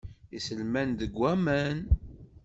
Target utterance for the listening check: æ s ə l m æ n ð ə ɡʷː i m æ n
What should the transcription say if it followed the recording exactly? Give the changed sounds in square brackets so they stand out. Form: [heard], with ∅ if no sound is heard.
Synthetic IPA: [i] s ə l m æ n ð ə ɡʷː [æ] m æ n